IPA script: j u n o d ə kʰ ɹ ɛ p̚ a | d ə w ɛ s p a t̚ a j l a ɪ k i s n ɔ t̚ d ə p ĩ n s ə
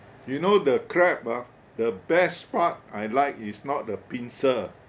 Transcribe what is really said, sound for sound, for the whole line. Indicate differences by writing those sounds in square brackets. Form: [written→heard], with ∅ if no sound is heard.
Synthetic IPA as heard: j u n o d ə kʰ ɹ ɛ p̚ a | d ə [w→b] ɛ s p a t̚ a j l a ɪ k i s n ɔ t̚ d ə p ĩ n s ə